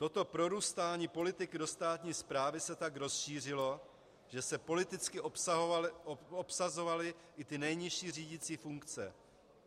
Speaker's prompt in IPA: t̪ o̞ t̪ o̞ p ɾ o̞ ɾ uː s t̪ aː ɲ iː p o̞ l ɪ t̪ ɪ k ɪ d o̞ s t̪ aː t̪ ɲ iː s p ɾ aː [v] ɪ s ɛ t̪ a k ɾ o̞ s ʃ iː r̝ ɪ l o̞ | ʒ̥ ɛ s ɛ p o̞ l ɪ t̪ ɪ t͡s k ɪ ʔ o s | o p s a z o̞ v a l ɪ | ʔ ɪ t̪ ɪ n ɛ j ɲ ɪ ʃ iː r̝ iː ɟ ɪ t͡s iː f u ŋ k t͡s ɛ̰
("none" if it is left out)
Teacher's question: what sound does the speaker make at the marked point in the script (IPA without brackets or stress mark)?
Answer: v